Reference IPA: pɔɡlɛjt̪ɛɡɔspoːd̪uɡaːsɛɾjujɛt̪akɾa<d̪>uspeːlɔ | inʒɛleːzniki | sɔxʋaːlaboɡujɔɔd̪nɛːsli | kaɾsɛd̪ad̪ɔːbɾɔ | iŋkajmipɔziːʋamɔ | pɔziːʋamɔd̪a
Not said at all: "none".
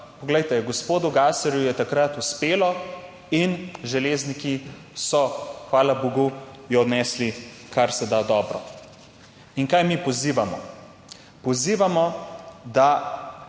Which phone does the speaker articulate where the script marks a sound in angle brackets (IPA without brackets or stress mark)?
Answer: t̪